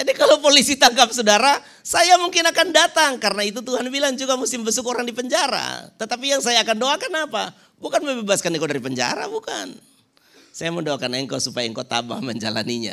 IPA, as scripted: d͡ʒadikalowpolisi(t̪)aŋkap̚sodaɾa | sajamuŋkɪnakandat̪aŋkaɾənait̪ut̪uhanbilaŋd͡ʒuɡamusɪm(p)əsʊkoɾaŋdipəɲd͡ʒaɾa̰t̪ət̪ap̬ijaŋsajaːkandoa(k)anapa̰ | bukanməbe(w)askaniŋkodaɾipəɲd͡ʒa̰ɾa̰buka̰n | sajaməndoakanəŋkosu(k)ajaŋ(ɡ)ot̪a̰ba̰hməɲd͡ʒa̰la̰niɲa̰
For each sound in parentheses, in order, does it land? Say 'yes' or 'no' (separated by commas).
yes, no, yes, no, no, no